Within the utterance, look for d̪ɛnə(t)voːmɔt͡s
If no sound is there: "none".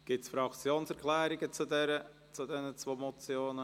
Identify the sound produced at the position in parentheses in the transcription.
t͡s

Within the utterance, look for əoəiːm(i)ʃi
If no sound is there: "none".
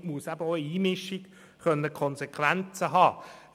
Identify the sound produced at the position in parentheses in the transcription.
ɪ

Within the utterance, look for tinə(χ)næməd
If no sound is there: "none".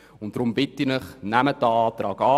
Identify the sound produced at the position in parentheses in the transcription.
χ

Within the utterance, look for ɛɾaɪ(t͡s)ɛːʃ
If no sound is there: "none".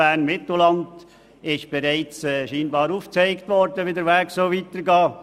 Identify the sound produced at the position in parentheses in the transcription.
t͡s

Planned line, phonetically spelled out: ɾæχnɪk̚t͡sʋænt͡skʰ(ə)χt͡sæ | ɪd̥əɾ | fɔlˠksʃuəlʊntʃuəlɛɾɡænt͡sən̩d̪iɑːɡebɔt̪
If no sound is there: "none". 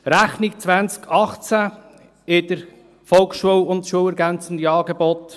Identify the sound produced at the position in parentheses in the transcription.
ɑ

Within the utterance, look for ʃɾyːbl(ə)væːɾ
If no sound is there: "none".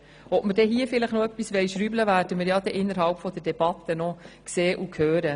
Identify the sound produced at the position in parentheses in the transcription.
ə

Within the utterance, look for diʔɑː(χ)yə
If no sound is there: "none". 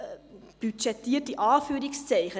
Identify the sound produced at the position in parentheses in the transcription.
f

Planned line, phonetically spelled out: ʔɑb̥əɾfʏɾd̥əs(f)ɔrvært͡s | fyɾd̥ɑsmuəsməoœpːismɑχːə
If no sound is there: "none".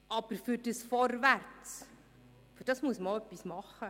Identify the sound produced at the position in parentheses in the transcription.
f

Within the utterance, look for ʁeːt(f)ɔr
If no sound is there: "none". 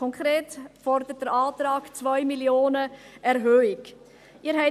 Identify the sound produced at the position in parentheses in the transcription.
f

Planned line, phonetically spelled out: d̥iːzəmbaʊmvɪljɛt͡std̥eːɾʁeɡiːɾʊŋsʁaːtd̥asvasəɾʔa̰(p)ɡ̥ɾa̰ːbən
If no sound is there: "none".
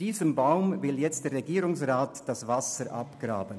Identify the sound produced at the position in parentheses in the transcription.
p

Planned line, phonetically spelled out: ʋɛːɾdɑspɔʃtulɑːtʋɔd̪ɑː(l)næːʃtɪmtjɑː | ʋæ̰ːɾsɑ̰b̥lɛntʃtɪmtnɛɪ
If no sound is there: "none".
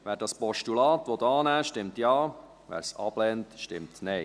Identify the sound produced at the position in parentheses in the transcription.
none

